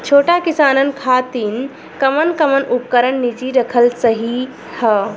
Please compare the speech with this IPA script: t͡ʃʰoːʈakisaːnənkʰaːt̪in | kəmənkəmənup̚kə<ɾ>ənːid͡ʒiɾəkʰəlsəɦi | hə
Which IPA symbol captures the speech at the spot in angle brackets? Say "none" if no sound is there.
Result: ɾ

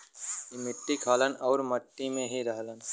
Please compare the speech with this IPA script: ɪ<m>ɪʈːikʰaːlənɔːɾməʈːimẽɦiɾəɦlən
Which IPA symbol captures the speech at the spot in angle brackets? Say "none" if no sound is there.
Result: m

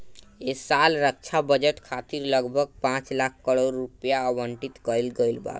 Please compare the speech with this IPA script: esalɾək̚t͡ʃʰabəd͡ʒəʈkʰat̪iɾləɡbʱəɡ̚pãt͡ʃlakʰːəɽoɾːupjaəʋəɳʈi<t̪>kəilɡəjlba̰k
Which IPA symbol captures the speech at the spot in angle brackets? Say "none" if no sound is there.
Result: t̪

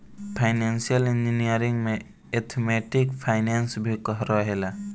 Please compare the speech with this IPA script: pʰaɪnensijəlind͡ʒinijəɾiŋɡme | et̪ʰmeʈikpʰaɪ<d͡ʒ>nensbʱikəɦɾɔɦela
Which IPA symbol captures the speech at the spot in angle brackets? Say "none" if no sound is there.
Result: none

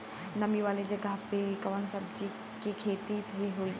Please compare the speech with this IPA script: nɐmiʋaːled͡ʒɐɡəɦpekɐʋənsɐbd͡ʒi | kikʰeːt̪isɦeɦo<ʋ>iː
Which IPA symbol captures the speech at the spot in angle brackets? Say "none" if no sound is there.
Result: none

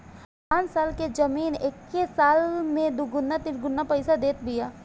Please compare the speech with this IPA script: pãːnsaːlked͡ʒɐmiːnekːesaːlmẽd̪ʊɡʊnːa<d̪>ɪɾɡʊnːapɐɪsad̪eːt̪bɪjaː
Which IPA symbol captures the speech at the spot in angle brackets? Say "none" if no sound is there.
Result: t̪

